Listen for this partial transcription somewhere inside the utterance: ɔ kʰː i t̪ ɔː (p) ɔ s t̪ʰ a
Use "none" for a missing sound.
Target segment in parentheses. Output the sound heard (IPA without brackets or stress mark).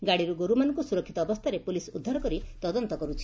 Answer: b